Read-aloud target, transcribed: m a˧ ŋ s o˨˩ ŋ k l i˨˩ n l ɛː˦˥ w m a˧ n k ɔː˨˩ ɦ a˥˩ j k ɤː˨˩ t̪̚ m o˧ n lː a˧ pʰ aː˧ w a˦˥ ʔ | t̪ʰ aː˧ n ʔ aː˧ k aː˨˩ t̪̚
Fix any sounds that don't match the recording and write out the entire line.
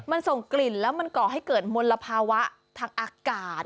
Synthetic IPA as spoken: m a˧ n s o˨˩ ŋ k l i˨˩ n l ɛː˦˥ w m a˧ n k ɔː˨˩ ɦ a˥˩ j k ɤː˨˩ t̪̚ m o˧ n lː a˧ pʰ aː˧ w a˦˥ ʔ | t̪ʰ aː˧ ŋ ʔ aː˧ k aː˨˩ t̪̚